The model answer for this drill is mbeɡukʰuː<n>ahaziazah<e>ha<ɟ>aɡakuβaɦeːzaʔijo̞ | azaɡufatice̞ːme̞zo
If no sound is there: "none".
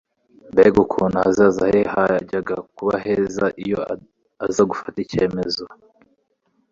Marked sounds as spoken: n, e, ɟ

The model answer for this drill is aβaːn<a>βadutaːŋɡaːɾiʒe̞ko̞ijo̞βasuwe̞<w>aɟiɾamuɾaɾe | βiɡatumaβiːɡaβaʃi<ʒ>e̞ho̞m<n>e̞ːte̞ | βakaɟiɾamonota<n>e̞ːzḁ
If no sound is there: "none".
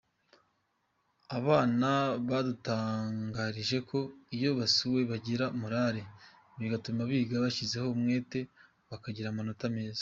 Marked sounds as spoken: a, β, z, ŋ, m

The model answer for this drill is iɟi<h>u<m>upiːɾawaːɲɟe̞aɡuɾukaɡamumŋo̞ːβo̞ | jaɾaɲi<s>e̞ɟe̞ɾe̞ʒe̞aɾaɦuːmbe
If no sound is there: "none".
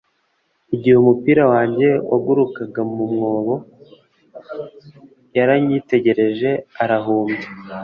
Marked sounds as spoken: h, m, t

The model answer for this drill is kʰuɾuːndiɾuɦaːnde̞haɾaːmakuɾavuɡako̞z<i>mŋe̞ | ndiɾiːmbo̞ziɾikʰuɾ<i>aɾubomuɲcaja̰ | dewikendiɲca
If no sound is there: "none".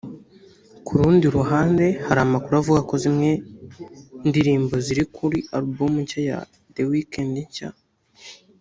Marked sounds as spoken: i, i

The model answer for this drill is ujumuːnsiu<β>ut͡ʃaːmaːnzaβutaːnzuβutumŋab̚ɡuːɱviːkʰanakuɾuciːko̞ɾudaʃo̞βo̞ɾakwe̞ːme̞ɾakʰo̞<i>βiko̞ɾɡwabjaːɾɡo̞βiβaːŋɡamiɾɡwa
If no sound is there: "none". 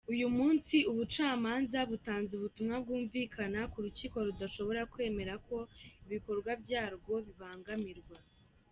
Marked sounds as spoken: β, i

